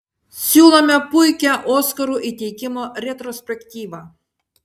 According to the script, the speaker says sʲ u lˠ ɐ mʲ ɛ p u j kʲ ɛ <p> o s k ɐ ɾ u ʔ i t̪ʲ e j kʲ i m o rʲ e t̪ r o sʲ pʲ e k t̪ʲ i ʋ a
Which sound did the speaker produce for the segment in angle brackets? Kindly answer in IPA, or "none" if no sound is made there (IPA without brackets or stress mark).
ʔ